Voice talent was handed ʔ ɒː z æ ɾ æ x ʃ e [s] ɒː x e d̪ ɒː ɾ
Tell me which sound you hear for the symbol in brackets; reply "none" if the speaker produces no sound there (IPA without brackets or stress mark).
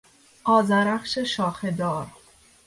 ʃ